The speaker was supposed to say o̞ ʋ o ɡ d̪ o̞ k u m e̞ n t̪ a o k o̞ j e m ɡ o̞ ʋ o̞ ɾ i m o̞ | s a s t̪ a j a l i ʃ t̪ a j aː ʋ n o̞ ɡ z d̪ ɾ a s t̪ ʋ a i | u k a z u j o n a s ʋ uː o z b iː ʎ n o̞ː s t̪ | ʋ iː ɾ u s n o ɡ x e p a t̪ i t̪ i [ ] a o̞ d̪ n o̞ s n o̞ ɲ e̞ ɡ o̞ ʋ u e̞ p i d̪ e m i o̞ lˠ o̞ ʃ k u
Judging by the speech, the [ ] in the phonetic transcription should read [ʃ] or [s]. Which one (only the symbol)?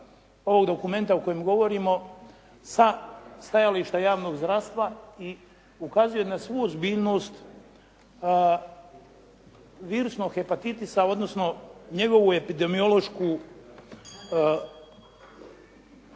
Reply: s